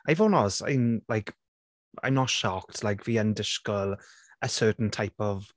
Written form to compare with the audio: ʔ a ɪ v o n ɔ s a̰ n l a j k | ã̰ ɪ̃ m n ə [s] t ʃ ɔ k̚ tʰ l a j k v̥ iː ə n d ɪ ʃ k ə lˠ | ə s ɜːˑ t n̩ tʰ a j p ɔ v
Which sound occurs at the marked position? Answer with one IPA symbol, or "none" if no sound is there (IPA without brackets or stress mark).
none